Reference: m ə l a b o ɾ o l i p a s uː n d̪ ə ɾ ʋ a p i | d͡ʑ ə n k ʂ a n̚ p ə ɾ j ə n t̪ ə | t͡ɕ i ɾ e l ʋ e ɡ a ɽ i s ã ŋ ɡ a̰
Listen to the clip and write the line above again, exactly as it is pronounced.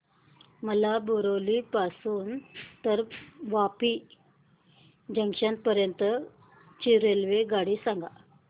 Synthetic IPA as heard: m ə l a b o ɾ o l i p a s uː n t̪ ə ɾ ʋ a p i | d͡ʑ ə ŋ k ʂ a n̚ p ə ɾ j ə n t̪ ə | t͡ɕ i ɾ e l ʋ e ɡ a ɽ i s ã ŋ ɡ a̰